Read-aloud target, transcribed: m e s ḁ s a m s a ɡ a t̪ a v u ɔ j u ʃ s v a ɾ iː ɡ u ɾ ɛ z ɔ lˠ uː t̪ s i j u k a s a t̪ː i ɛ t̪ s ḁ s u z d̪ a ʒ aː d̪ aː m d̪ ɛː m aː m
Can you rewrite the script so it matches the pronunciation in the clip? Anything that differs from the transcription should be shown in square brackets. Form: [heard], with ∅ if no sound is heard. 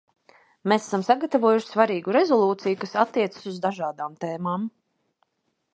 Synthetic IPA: m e s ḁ s a m s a ɡ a t̪ a v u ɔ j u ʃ s v a ɾ iː ɡ u ɾ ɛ z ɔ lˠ uː t̪ s i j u k a s a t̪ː i ɛ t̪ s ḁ s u z d̪ a ʒ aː d̪ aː m [t̪] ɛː m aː m